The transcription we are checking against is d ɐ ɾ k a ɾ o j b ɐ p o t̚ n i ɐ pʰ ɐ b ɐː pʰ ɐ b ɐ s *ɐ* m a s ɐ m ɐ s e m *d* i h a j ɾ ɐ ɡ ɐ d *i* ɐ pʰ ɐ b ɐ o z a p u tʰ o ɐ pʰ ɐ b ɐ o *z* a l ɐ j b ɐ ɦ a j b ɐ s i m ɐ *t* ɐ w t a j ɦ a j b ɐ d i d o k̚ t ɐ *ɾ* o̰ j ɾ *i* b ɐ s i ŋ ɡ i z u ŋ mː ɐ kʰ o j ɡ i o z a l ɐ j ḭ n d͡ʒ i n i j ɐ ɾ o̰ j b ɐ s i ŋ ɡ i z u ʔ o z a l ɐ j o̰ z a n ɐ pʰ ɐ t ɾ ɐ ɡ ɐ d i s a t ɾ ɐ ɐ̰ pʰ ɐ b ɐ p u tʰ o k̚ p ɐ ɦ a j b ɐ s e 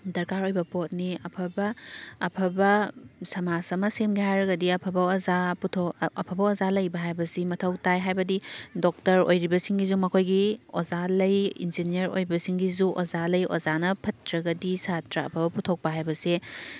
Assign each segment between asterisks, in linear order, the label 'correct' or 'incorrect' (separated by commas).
correct, incorrect, correct, correct, incorrect, correct, correct